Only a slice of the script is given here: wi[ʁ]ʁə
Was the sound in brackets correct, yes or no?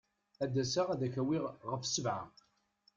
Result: yes